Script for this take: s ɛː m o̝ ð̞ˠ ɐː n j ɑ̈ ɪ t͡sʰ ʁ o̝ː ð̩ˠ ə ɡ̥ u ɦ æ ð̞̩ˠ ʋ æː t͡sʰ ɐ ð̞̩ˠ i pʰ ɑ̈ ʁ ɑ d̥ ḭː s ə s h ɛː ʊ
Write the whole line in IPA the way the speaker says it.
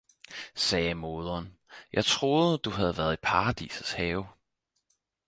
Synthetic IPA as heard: s ɛː m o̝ ð̞ˠ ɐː n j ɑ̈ ɪ t͡sʰ ʁ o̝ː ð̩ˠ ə d̥ u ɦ æ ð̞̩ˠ ʋ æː ɐ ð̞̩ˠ i pʰ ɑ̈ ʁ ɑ d̥ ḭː s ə s h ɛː ʊ

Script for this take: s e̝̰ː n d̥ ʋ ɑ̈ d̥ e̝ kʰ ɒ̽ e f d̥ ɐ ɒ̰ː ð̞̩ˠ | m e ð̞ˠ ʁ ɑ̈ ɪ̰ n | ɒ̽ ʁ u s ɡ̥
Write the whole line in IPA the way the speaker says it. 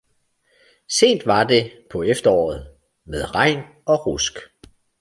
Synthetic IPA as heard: s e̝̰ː n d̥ ʋ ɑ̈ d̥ e̝ pʰ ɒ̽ e f d̥ ɐ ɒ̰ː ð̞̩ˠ | m e ð̞ˠ ʁ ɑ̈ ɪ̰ n | ɒ̽ ʁ u s ɡ̥

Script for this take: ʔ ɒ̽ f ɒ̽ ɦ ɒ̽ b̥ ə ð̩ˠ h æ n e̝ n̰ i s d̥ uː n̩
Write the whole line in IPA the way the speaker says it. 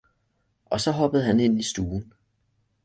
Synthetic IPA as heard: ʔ ɒ̽ s ɒ̽ ɦ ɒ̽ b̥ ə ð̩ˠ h æ n e̝ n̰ i s d̥ uː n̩

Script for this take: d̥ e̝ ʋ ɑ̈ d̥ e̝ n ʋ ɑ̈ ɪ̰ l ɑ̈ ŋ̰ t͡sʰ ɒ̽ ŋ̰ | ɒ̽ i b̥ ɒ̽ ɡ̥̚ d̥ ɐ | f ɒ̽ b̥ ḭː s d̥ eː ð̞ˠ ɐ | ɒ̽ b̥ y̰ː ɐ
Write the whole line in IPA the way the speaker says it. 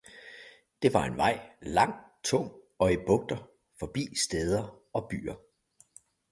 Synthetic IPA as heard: d̥ e̝ ʋ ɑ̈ e̝ n ʋ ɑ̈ ɪ̰ l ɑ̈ ŋ̰ t͡sʰ ɔ̽ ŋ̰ | ɒ̽ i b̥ ɔ̽ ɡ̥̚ d̥ ɐ | f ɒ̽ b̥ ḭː s d̥ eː ð̞ˠ ɐ | ɒ̽ b̥ y̰ː ɐ

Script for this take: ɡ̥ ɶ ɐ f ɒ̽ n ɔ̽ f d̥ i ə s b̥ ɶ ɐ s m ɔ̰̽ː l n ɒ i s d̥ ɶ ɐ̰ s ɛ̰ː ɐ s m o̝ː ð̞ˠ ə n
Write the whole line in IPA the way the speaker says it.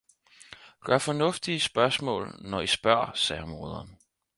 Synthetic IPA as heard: ɡ̥ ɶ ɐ f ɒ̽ n ɔ̽ f d̥ i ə s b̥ ɶ ɐ s m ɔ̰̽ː l n ɒ i s b̥ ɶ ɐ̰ s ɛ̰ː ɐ m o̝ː ð̞ˠ ɐ n

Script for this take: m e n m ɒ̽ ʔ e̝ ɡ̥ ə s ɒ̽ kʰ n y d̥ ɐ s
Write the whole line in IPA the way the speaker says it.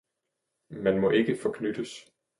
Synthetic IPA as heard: m æ n m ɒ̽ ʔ e̝ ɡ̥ ə f ɒ̽ kʰ n y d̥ ə s

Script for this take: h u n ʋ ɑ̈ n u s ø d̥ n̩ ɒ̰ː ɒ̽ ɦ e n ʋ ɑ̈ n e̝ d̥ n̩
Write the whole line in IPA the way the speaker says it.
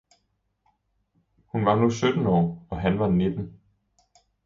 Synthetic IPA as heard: h u n ʋ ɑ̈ n u s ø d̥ n̩ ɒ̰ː ɒ̽ ɦ æ n ʋ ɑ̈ n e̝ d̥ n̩

